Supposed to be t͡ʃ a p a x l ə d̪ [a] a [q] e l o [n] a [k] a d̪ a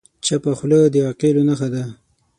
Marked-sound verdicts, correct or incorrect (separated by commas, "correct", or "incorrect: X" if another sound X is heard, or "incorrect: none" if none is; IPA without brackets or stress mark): incorrect: ə, correct, correct, incorrect: x